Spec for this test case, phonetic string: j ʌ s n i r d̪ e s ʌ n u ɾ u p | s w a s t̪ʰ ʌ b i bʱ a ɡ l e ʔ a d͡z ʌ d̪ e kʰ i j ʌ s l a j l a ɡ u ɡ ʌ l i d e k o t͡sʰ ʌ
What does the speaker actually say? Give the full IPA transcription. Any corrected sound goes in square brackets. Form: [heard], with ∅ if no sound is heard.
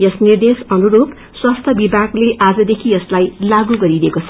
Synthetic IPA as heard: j ʌ s n i r d̪ e s ʌ n u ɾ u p | s w a s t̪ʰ ʌ b i bʱ a ɡ l e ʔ a d͡z ʌ d̪ e kʰ i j ʌ s l a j l a ɡ u ɡ ʌ [ɾ] i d e k o t͡sʰ ʌ